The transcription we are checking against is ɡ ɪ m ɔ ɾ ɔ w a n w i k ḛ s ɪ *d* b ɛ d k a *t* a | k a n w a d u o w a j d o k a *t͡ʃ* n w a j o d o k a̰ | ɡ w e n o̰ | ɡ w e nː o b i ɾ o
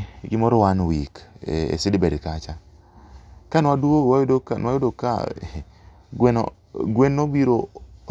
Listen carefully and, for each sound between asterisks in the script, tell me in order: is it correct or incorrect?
correct, incorrect, incorrect

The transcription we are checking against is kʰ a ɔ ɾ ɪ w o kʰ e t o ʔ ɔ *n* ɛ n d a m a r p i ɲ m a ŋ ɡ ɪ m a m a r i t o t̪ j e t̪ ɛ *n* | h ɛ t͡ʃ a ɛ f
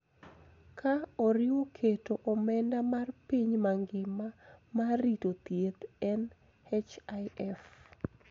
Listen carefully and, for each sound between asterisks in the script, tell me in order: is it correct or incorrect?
incorrect, correct

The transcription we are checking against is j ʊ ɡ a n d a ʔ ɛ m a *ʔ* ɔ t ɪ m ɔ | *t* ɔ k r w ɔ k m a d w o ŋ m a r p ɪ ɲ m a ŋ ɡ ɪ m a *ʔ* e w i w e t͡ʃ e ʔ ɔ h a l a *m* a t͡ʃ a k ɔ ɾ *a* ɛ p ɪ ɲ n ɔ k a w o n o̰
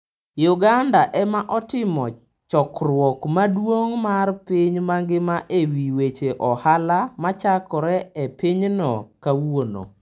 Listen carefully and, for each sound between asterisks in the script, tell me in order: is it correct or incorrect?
correct, incorrect, correct, correct, incorrect

